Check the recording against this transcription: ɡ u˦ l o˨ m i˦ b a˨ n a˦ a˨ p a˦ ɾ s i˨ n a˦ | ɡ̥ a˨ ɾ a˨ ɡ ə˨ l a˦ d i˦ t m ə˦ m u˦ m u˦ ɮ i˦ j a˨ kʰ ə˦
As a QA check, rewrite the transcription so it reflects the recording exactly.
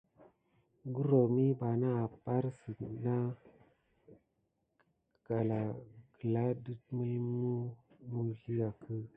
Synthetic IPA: ɡ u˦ ɾ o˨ m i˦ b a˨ n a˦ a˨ p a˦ ɾ s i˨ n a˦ | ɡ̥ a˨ l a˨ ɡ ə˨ l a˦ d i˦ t m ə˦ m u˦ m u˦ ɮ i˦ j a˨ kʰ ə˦